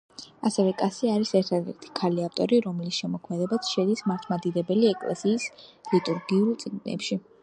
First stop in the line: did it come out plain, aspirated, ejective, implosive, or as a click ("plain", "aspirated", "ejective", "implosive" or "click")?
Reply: ejective